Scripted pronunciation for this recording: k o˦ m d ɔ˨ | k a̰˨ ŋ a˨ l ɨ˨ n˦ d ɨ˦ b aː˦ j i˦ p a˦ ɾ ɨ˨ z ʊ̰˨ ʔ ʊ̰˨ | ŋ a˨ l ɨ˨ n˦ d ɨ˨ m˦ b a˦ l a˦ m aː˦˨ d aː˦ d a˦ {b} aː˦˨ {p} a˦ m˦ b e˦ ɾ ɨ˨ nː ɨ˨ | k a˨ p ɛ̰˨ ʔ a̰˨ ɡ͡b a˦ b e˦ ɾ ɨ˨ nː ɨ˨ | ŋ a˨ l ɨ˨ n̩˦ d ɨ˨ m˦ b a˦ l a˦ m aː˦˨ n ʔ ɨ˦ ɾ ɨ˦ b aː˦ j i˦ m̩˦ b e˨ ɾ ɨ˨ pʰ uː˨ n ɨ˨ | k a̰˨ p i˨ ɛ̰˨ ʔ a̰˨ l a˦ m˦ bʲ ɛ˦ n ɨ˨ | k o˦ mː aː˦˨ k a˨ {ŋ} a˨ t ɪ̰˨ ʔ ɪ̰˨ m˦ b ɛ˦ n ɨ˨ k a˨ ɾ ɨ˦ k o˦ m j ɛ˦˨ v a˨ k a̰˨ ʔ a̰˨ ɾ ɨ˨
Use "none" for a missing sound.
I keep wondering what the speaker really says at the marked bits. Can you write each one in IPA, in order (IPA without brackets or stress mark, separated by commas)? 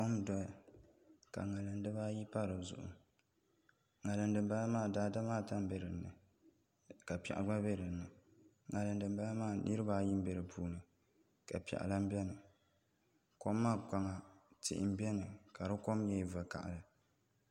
m, t, ŋ